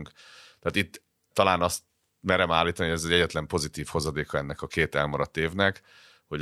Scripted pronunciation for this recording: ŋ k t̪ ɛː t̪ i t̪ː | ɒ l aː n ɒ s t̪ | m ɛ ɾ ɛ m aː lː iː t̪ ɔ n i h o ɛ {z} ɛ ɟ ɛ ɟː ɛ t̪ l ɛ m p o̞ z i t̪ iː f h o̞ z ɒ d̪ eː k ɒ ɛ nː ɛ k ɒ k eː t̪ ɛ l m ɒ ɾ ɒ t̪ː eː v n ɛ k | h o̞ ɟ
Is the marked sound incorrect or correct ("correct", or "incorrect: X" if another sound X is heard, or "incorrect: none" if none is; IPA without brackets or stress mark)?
correct